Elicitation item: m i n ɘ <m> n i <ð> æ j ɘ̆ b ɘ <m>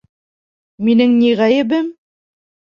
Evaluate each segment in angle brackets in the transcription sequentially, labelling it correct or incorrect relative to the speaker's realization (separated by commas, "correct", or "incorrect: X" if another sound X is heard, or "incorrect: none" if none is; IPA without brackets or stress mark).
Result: incorrect: ŋ, incorrect: ʁ, correct